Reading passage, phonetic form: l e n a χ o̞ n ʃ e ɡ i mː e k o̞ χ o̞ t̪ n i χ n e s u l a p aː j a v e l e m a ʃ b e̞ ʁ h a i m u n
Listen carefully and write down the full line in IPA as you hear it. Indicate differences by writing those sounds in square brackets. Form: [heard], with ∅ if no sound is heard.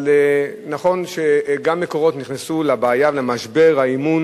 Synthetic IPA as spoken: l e n a χ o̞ n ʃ e ɡ [a] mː e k o̞ [ʁ] o̞ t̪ n i χ n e s u l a [b] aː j a v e l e m a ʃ b e̞ ʁ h a i m u n